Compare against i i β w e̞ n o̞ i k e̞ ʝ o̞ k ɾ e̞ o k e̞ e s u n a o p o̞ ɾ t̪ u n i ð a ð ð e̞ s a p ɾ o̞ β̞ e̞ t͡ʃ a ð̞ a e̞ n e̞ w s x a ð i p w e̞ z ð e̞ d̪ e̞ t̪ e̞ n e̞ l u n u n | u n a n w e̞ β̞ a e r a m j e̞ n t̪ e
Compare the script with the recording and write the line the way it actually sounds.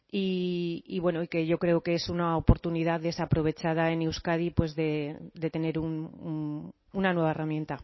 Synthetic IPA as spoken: i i β w e̞ n o̞ i k e̞ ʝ o̞ k ɾ e̞ o k e̞ e s u n a o p o̞ ɾ t̪ u n i ð a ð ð e̞ s a p ɾ o̞ β̞ e̞ t͡ʃ a ð̞ a e̞ n e̞ w s k a ð i p w e̞ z ð e̞ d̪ e̞ t̪ e̞ n e̞ ɾ u n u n | u n a n w e̞ β̞ a e r a m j e̞ n t̪ a